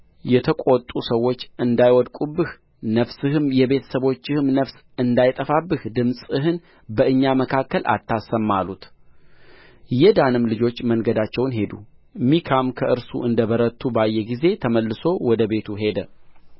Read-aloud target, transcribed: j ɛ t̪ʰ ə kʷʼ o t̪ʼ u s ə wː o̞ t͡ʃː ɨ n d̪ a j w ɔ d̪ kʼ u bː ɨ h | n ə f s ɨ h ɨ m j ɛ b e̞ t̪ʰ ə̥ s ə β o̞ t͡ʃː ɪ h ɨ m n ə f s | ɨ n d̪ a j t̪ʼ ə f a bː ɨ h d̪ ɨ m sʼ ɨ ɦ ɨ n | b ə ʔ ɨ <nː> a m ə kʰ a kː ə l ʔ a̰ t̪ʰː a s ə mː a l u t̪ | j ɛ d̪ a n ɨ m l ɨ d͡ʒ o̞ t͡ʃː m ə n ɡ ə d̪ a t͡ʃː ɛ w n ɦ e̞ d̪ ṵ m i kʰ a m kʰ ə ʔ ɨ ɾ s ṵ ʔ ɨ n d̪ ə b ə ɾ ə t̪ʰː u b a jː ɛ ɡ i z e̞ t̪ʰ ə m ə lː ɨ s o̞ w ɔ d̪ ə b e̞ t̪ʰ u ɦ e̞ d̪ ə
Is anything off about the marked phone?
yes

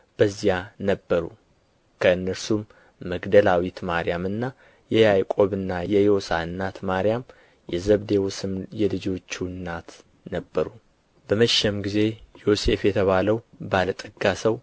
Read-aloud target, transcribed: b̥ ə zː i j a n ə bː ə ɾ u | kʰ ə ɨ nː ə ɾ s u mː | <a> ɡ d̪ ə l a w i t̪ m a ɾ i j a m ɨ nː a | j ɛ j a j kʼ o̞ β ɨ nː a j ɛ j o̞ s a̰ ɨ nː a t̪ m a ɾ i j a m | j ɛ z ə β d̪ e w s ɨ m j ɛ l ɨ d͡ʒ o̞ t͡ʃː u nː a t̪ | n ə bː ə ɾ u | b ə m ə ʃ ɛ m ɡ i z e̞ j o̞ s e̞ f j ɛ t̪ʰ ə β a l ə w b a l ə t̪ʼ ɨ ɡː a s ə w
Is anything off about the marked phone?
yes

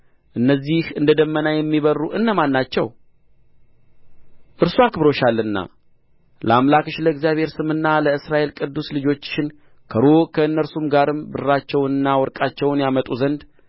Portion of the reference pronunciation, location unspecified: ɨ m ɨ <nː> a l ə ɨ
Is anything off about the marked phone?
no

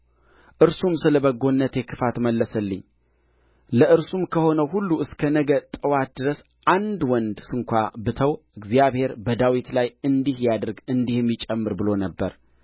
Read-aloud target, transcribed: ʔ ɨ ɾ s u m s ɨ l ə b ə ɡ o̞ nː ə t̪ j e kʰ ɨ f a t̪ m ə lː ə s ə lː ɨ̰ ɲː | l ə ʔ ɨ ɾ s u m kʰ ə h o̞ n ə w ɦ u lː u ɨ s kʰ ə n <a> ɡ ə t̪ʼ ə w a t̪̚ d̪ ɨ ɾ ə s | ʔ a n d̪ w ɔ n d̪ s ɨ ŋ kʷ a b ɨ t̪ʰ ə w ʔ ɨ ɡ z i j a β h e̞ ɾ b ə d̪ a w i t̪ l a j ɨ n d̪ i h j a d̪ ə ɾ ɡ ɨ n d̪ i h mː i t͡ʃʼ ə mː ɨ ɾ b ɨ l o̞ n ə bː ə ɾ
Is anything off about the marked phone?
yes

